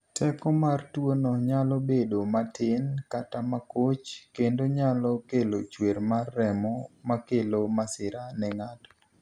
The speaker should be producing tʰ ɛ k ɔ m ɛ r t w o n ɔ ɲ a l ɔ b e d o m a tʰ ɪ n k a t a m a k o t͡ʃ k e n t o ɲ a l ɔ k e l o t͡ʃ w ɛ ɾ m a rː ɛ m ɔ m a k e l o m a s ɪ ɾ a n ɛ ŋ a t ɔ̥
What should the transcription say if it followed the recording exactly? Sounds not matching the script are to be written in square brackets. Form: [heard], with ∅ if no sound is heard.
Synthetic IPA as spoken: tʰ ɛ k ɔ m [a] r t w o n ɔ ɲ a l ɔ b e d o m a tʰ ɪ n k a t a m a k o t͡ʃ k e n [d] o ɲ a l ɔ k e l o t͡ʃ w [e] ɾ m a rː ɛ m ɔ m a k e l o m a s ɪ ɾ a n ɛ ŋ a t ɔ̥